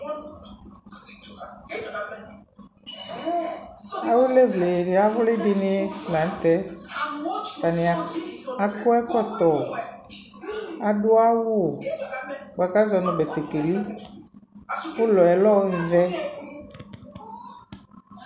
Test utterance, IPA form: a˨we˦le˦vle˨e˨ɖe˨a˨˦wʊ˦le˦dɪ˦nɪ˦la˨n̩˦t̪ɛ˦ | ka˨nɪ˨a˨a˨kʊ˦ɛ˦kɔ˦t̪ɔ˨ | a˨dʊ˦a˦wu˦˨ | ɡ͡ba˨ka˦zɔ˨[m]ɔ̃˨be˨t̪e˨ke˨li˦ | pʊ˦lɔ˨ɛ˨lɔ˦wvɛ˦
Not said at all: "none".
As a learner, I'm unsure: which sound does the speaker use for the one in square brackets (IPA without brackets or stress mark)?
n